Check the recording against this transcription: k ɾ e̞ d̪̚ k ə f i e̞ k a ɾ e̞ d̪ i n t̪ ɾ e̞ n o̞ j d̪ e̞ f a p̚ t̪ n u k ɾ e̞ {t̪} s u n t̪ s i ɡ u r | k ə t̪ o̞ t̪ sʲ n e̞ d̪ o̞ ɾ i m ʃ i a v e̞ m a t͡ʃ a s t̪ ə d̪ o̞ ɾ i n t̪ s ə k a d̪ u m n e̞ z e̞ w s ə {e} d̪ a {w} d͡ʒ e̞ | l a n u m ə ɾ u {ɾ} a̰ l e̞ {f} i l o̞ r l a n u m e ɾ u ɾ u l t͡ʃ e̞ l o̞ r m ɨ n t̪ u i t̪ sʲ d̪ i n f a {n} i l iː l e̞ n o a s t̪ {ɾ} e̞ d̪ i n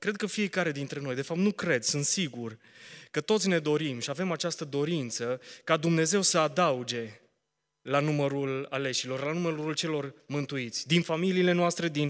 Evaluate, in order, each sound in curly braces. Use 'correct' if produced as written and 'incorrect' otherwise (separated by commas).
incorrect, incorrect, incorrect, incorrect, incorrect, incorrect, correct